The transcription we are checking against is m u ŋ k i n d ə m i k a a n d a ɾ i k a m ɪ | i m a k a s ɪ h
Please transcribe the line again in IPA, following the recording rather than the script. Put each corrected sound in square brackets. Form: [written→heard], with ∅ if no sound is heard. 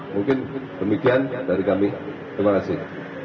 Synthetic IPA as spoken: m u ŋ k [i→ɪ] n d ə m i k [a→i] a n d a ɾ i k a m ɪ | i m a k a s ɪ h